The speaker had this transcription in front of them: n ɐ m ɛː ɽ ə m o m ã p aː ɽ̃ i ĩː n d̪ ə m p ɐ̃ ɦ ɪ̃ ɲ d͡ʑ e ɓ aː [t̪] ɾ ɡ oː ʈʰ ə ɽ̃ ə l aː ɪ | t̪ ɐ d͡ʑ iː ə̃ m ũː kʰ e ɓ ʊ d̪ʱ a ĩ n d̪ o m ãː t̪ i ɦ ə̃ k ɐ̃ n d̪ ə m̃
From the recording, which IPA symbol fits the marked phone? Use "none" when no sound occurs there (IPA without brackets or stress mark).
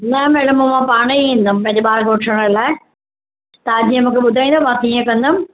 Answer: none